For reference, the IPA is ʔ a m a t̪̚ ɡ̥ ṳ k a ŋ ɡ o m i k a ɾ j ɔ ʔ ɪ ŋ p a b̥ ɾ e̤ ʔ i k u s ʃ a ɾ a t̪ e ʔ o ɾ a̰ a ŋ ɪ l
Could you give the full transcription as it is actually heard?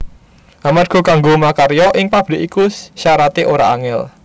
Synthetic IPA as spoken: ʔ a m a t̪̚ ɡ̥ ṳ k a ŋ ɡ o m a k a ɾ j ɔ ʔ ɪ ŋ p a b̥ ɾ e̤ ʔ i k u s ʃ a ɾ a t̪ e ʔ o ɾ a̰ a ŋ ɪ l